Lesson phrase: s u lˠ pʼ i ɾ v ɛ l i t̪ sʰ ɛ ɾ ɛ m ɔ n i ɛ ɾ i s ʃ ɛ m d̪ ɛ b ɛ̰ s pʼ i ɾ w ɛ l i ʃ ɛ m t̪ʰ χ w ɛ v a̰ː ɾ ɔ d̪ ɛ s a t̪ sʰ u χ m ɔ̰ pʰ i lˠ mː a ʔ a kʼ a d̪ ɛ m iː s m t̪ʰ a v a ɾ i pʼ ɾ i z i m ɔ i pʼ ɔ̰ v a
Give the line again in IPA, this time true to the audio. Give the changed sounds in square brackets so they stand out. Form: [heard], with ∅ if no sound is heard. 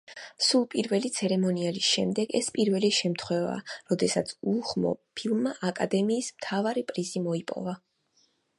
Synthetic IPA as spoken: s u lˠ pʼ i ɾ v ɛ l i t̪ sʰ ɛ ɾ ɛ m ɔ n i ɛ [l] i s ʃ ɛ m d̪ ɛ [ɡ] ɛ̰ s pʼ i ɾ [v] ɛ l i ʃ ɛ m t̪ʰ χ w ɛ v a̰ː ɾ ɔ d̪ ɛ s a t̪ sʰ u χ m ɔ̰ pʰ i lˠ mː a ʔ a kʼ a d̪ ɛ m iː s m t̪ʰ a v a ɾ i pʼ ɾ i z i m ɔ i pʼ ɔ̰ v a